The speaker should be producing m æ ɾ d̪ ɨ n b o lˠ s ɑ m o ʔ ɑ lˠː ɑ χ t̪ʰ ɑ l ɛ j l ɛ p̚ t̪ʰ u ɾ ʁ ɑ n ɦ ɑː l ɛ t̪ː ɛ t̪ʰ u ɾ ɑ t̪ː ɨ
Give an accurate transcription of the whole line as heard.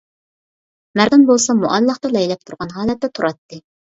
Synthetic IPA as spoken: m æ ɾ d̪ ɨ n b o lˠ s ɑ m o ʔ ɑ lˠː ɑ χ t̪ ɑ l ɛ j l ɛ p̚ t̪ʰ u ɾ ʁ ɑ n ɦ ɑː l ɛ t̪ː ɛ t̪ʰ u ɾ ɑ t̪ː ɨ